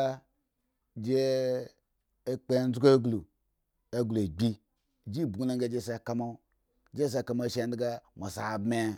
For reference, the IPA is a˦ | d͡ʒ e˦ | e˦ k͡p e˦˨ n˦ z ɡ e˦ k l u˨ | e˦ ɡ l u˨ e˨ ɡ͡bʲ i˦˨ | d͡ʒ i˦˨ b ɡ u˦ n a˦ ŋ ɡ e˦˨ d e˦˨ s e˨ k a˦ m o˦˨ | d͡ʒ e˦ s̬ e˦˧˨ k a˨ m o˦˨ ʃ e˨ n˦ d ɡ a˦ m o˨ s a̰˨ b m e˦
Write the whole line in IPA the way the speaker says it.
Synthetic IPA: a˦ | d͡ʒ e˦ | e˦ k͡p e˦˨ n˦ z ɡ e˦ ɡ l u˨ | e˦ ɡ l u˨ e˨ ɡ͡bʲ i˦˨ | d͡ʒ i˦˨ b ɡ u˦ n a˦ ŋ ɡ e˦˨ d͡ʒ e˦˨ s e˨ k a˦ m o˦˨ | d͡ʒ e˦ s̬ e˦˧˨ k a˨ m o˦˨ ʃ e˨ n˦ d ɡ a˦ m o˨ s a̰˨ b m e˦